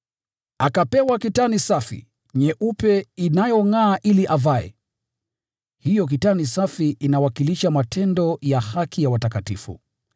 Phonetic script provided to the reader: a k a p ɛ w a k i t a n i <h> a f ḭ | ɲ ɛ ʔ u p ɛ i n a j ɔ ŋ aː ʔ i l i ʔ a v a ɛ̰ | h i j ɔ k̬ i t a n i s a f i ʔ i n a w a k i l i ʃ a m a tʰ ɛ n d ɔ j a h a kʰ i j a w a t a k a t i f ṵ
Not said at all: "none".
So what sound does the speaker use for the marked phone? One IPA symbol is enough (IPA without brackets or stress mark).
s